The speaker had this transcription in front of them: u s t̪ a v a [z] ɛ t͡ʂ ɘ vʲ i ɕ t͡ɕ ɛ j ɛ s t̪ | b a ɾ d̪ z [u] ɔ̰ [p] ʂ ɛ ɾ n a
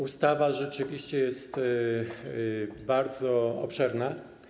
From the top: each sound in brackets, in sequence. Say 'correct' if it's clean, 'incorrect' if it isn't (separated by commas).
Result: incorrect, incorrect, correct